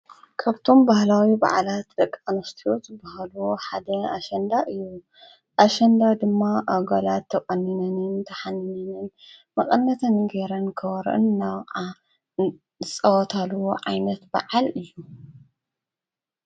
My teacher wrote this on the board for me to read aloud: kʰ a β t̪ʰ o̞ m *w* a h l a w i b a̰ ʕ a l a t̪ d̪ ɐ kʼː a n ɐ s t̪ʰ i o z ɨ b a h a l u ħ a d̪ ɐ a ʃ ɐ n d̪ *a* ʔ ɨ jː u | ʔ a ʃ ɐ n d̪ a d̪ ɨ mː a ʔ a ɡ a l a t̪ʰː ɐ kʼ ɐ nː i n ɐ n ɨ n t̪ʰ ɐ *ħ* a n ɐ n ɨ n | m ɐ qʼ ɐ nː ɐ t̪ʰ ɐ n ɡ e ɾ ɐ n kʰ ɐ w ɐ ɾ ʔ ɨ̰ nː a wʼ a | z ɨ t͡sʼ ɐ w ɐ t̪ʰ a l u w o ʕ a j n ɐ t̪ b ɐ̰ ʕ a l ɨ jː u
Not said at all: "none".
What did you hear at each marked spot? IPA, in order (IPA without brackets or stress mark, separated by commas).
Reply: b, a, ħ